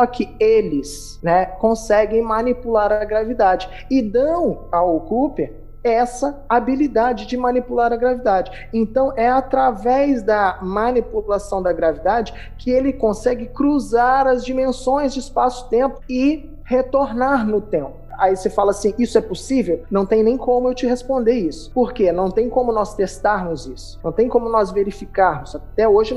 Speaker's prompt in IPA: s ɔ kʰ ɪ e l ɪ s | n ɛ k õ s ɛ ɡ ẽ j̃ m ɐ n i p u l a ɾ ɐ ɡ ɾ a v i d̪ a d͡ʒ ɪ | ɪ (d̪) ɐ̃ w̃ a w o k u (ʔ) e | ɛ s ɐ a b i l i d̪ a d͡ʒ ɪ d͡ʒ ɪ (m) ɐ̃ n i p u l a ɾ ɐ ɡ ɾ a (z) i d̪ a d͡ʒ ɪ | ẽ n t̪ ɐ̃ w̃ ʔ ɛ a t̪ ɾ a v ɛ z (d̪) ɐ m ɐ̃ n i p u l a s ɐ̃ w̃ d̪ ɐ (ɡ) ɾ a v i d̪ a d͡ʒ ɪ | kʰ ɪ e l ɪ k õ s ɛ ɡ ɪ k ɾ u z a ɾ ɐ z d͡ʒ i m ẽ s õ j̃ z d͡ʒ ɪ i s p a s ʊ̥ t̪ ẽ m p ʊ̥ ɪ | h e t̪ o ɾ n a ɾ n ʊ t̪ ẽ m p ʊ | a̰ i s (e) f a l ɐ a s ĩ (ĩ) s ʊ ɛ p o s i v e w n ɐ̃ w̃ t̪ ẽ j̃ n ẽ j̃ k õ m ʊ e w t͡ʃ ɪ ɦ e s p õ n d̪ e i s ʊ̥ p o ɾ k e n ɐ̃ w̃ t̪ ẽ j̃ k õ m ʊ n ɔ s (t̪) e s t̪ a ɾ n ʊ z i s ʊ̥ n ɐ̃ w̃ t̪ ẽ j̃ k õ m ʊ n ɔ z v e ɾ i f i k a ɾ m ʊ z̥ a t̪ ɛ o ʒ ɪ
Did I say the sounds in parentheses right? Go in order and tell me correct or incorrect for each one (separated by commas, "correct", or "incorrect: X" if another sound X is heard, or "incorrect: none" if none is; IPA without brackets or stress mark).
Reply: correct, incorrect: p, correct, incorrect: v, correct, correct, correct, incorrect: i, correct